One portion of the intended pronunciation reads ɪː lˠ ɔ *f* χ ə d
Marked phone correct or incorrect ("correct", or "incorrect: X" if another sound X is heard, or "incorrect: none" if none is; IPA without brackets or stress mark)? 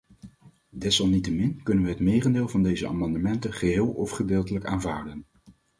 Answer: correct